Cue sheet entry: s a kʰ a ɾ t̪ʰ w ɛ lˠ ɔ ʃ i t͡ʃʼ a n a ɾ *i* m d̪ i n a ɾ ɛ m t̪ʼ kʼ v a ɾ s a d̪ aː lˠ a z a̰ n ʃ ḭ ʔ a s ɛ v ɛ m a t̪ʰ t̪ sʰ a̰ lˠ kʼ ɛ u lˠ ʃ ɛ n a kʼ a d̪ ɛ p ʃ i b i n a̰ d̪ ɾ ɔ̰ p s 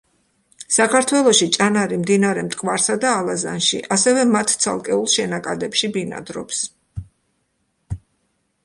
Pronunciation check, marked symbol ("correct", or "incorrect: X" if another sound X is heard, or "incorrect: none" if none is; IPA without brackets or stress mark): correct